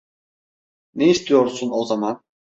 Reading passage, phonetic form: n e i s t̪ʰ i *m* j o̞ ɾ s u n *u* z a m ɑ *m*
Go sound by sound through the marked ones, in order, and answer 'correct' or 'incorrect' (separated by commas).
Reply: incorrect, incorrect, incorrect